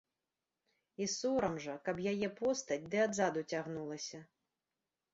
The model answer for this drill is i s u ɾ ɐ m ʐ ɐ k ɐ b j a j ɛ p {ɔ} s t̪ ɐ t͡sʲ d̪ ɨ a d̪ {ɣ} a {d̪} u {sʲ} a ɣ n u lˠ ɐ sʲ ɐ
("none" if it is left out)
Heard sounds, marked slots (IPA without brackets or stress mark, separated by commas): ɔ, z, d̪, t͡sʲ